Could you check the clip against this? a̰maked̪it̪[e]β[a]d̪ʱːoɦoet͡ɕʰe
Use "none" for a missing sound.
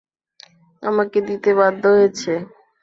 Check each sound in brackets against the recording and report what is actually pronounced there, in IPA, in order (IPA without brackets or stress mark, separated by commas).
e, a